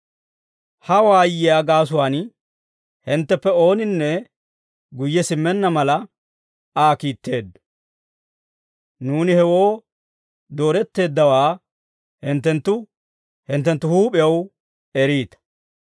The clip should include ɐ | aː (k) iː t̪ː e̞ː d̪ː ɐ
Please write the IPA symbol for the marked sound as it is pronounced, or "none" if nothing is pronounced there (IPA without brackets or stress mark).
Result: k